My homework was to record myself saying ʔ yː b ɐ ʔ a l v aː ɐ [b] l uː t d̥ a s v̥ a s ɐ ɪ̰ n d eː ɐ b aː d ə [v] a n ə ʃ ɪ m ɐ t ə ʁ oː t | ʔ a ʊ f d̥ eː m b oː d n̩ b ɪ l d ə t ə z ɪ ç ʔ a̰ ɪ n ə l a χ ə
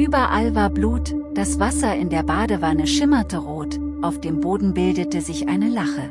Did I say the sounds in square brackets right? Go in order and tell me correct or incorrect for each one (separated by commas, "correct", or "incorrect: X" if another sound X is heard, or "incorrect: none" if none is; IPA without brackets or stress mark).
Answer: correct, correct